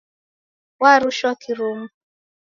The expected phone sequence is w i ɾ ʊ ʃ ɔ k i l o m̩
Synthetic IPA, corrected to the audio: w a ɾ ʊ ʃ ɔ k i ɾ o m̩